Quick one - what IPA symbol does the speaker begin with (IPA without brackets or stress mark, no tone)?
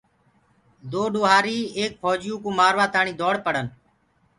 d̪